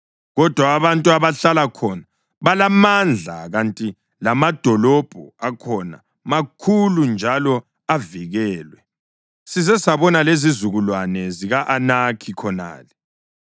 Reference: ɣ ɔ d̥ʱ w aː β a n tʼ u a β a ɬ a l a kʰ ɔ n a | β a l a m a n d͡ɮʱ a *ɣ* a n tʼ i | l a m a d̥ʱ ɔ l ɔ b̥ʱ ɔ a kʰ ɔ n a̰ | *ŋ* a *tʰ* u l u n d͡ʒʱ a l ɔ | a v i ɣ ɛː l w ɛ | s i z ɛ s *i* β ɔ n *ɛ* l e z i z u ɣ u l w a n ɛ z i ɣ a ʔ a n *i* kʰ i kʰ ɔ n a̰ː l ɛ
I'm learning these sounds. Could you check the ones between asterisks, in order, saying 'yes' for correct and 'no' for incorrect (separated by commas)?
yes, no, no, no, no, no